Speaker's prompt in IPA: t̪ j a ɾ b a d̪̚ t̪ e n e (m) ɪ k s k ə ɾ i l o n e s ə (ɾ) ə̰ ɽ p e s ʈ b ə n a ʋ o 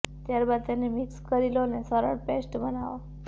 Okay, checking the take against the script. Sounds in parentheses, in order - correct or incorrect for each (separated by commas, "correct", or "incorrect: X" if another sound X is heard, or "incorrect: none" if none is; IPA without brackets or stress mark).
correct, correct